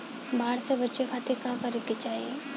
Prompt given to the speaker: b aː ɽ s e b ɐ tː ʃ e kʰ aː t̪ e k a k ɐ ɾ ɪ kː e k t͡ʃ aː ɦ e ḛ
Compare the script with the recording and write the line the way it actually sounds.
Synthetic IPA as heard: b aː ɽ s e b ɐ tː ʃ e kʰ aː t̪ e k a k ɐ ɾ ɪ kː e t͡ʃ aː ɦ i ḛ